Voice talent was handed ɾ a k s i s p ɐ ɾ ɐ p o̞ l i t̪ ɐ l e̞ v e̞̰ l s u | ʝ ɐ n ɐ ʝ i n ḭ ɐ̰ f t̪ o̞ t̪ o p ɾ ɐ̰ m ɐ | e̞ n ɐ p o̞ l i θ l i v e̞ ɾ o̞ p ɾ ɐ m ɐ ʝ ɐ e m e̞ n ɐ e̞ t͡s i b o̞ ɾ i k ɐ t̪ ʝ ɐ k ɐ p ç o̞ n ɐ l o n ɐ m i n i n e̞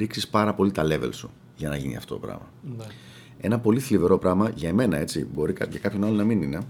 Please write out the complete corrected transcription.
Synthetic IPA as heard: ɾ i k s i s p ɐ ɾ ɐ p o̞ l i t̪ ɐ l e̞ v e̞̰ l s u | ʝ ɐ n ɐ ʝ i n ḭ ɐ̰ f t̪ o̞ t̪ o p ɾ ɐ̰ m ɐ | e̞ n ɐ p o̞ l i θ l i v e̞ ɾ o̞ p ɾ ɐ m ɐ ʝ ɐ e m e̞ n ɐ e̞ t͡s i b o̞ ɾ i k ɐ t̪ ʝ ɐ k ɐ p ç o̞ n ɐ l o n ɐ m i n i n e̞